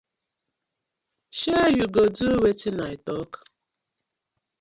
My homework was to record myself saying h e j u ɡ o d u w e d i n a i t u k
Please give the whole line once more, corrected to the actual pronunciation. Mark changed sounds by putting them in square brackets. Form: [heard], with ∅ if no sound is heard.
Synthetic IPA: [ʃ] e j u ɡ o d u w e [t] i n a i t [ɔ] k

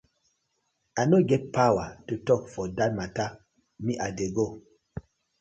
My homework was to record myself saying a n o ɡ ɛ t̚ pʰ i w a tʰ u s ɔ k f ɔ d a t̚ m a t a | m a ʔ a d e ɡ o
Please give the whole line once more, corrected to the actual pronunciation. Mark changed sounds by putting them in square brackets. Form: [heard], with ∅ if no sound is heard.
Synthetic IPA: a n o ɡ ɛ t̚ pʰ [a] w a [t] u [t] ɔ k f ɔ d a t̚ m a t a | m [i] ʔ a d e ɡ o

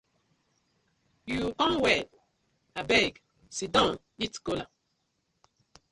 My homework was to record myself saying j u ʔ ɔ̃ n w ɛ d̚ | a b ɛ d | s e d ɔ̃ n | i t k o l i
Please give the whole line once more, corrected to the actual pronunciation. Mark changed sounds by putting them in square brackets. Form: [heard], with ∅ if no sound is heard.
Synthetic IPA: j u [k] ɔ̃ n w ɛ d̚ | a b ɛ [ɡ] | s [i] d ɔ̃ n | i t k o l [a]

